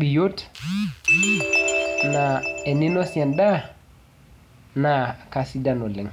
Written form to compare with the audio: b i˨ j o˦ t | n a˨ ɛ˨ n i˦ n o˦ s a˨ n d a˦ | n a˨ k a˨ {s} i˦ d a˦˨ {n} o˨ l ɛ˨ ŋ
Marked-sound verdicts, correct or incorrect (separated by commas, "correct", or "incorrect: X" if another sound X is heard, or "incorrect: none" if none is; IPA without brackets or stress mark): correct, correct